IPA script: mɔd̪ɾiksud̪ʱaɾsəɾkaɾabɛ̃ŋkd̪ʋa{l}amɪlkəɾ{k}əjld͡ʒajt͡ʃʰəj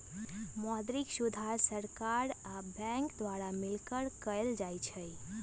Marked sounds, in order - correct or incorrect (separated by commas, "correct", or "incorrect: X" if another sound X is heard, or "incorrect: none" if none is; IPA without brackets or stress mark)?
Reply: incorrect: ɾ, correct